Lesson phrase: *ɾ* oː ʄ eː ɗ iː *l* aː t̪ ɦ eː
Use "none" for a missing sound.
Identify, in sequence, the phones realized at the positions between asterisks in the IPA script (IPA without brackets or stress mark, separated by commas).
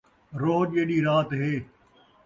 ɾ, ɾ